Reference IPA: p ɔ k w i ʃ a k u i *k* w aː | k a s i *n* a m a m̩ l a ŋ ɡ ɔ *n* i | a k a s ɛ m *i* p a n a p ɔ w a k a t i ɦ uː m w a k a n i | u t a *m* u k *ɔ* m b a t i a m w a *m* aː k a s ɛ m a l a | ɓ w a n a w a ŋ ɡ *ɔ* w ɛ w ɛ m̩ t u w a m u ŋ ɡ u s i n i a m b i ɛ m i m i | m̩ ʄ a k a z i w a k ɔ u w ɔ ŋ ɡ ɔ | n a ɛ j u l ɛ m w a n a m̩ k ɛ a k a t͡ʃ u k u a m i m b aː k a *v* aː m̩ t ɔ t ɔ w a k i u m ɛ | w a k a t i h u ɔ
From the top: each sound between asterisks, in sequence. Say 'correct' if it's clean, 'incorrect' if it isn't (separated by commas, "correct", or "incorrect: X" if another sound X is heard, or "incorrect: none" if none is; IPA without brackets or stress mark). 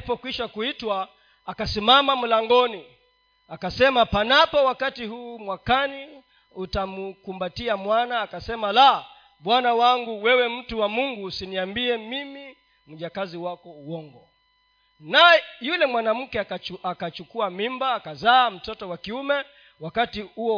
incorrect: t, incorrect: m, correct, incorrect: a, correct, incorrect: u, incorrect: n, incorrect: u, incorrect: z